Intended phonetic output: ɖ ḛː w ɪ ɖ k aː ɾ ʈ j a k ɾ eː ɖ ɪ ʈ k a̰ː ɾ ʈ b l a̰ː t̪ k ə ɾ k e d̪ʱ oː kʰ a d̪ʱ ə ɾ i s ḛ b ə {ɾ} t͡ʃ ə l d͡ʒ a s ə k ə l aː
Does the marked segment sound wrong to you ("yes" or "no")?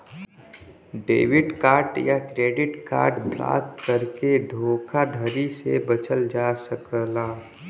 yes